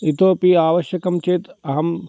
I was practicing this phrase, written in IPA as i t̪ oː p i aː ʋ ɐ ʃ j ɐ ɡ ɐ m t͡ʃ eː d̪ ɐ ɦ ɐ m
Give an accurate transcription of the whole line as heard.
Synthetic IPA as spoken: i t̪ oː p i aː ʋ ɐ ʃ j ɐ k ɐ m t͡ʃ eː t̪ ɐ ɦ ɐ m